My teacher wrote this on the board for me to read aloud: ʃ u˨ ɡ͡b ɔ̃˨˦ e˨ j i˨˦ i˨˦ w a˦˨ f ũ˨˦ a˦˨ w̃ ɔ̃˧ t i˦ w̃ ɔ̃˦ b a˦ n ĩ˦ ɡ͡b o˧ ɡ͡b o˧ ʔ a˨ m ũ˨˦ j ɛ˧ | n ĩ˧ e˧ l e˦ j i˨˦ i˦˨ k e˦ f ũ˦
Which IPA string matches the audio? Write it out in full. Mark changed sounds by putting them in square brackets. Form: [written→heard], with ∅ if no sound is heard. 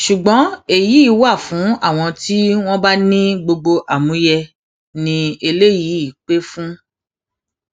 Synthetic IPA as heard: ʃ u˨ ɡ͡b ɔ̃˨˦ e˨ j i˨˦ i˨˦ w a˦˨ f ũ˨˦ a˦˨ w̃ ɔ̃˧ t i˦ w̃ ɔ̃˦ b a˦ n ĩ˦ ɡ͡b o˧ ɡ͡b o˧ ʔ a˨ m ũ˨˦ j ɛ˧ | n ĩ˧ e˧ l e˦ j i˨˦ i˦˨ [k→k͡p] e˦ f ũ˦